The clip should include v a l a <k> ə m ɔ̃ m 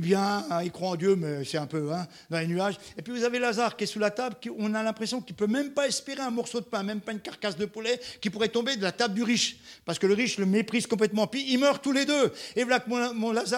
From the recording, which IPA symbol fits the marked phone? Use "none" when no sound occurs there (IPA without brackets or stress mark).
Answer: k